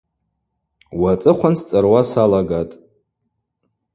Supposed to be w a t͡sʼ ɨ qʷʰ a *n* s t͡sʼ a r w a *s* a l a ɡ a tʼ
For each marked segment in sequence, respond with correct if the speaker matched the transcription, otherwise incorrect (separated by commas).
correct, correct